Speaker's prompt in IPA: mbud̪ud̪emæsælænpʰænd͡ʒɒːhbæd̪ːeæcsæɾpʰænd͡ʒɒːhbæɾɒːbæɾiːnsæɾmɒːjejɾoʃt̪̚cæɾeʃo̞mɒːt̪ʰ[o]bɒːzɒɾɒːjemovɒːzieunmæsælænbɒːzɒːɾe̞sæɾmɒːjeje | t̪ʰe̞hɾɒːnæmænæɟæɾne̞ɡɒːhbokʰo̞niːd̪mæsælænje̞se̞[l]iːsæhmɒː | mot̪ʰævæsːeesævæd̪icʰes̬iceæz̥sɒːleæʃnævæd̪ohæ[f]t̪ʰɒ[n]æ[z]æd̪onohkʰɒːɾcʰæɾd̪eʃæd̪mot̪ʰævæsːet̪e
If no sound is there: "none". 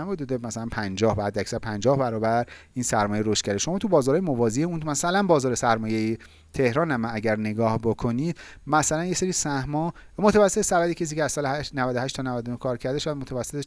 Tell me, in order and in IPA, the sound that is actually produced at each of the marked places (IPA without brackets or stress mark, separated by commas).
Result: u, ɾ, ʃ, n, v